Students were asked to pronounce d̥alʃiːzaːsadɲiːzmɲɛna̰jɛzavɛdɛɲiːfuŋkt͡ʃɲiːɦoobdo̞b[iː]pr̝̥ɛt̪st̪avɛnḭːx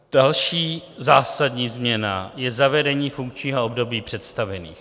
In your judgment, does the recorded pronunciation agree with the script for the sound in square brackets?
yes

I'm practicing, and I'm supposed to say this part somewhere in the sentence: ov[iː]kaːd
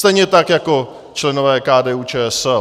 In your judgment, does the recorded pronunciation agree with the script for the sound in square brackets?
no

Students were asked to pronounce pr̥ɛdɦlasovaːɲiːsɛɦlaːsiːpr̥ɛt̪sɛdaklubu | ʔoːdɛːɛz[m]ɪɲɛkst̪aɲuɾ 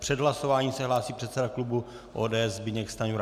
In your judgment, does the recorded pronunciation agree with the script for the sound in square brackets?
no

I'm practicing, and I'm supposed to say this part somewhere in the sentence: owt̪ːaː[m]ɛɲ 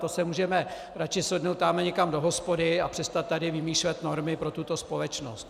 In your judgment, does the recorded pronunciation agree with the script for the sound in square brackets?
yes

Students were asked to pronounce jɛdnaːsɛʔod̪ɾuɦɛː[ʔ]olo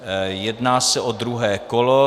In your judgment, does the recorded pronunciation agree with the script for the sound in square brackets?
no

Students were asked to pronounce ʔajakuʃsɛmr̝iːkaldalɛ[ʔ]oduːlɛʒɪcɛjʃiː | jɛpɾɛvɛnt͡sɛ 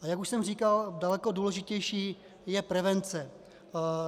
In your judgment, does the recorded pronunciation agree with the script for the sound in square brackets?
no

